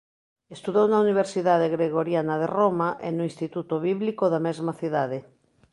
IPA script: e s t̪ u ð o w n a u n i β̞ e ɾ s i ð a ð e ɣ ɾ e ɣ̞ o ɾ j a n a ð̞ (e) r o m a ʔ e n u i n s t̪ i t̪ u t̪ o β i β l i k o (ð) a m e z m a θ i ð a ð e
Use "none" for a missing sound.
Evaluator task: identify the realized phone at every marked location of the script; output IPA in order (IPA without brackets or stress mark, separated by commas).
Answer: e, ð